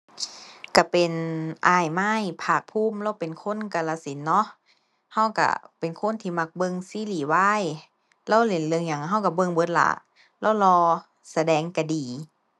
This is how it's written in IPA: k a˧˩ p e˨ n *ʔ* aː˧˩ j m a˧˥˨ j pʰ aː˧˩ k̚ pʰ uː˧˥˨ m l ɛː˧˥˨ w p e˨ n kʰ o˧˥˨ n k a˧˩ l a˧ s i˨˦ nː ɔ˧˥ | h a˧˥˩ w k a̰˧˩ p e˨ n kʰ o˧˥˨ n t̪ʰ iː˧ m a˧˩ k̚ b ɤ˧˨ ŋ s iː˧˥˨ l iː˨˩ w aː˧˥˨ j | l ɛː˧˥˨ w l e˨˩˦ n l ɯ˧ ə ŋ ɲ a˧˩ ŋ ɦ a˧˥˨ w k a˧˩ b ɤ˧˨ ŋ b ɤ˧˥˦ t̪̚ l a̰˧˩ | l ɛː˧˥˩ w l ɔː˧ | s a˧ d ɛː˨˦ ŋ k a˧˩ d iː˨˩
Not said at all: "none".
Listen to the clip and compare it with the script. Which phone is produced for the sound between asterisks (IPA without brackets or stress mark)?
ʔ